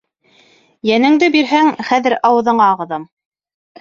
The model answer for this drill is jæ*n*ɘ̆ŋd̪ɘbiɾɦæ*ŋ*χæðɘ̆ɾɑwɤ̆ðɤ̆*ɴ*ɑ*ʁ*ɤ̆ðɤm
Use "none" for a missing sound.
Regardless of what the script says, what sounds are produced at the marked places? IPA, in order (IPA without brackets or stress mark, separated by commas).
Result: n, ŋ, ɴ, ʁ